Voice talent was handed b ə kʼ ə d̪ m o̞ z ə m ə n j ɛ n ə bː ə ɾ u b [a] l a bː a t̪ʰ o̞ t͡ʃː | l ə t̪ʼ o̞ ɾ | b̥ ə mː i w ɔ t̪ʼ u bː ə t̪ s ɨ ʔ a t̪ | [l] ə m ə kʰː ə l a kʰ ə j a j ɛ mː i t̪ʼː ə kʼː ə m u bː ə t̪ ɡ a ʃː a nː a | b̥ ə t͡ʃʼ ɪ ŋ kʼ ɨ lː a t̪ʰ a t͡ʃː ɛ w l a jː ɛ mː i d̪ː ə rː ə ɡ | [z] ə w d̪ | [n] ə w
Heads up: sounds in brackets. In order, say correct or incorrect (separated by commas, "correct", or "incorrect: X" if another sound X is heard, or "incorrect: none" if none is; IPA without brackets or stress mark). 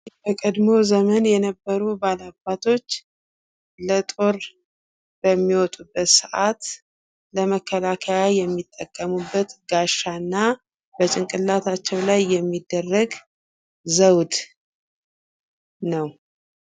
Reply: correct, correct, correct, correct